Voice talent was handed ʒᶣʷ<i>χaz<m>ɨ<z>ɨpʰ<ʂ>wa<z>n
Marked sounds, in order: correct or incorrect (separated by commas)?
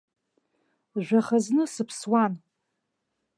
incorrect, incorrect, incorrect, incorrect, incorrect